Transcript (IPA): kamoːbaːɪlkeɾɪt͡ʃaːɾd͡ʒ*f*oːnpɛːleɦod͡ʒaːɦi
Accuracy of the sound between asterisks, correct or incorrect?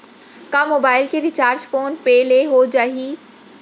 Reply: correct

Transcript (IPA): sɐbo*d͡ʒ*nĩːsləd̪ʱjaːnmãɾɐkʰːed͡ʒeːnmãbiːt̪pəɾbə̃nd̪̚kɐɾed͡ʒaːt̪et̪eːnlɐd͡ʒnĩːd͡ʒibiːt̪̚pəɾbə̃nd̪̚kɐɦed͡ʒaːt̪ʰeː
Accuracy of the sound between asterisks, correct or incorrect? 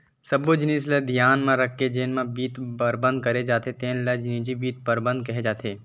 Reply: correct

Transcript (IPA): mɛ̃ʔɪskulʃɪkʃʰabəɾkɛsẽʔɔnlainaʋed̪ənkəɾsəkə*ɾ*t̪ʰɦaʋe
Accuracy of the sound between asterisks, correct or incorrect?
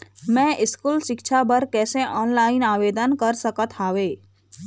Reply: incorrect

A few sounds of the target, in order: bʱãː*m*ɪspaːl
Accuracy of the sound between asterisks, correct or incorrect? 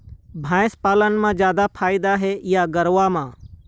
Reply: incorrect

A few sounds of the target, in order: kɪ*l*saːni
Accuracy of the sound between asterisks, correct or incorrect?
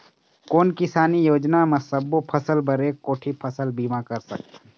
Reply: incorrect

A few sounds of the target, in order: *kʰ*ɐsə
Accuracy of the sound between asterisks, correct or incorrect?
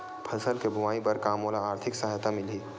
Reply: incorrect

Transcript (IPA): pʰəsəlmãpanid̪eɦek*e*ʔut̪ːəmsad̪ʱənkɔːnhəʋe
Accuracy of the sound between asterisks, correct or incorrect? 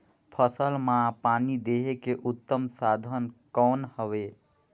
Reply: correct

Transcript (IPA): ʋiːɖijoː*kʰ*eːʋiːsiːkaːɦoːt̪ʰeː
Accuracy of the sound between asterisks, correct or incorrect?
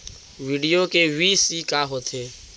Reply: incorrect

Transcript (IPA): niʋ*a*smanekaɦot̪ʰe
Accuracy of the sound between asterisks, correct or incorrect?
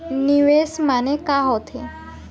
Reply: incorrect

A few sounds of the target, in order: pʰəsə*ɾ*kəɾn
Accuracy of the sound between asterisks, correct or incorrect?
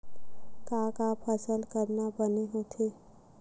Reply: incorrect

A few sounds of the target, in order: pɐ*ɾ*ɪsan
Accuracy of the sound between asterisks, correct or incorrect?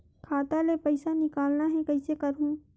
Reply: incorrect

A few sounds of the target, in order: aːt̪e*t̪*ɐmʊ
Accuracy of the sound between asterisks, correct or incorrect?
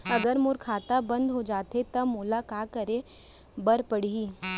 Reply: correct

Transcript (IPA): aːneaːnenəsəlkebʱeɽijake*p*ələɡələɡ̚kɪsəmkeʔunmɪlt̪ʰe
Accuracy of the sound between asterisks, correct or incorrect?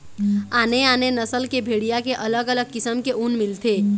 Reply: incorrect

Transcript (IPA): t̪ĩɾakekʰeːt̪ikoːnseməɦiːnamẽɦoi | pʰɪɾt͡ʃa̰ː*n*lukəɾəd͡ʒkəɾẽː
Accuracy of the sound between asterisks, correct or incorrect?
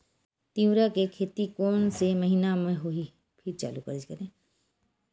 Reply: incorrect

